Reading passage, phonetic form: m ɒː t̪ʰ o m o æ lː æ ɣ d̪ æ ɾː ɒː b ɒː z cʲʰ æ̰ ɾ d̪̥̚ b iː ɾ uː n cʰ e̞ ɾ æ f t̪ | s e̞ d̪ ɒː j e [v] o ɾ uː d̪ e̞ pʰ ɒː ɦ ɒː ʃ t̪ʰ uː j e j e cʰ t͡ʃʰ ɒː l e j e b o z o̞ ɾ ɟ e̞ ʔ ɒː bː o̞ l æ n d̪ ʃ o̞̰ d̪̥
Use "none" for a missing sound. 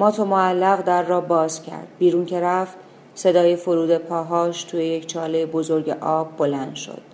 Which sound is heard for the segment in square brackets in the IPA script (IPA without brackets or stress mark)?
f